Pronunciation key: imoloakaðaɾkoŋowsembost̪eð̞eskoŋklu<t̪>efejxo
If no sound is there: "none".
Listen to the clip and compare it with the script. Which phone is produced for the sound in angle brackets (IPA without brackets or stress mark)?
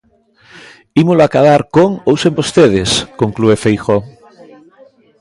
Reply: none